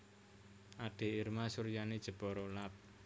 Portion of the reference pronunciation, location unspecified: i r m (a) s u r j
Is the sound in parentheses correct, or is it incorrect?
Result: correct